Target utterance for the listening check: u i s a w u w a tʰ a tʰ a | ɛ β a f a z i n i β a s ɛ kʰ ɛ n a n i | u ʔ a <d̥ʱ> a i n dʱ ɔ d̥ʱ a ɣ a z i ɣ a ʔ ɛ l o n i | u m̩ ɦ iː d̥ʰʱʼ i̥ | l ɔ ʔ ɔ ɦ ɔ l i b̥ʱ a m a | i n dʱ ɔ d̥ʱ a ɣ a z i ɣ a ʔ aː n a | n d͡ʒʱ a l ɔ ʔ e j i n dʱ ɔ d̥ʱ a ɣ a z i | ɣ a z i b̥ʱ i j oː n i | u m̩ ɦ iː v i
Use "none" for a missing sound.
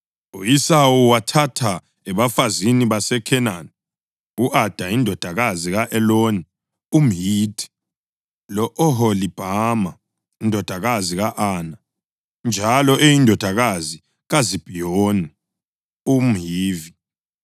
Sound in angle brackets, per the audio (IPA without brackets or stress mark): d̥ʱ